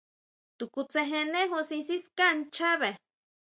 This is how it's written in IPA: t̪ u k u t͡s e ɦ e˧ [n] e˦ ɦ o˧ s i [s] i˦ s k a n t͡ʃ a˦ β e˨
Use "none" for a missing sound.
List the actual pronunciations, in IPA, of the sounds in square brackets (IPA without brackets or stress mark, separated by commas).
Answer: n, s